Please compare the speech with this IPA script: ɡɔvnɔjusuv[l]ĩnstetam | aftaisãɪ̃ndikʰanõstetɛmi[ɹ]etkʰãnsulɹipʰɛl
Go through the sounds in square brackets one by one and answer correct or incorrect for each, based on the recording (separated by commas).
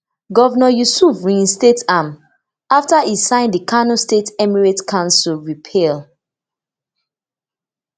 incorrect, correct